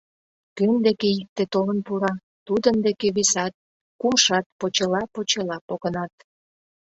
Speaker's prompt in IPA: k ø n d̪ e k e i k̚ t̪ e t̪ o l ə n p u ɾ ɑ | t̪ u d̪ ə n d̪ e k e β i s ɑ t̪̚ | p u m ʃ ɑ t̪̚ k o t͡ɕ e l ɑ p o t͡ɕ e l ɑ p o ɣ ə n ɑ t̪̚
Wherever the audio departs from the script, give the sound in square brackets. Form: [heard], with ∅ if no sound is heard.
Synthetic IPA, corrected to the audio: k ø n d̪ e k e i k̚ t̪ e t̪ o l ə n p u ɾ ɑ | t̪ u d̪ ə n d̪ e k e β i s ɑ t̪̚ | [k] u m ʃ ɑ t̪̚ [p] o t͡ɕ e l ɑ p o t͡ɕ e l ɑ p o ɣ ə n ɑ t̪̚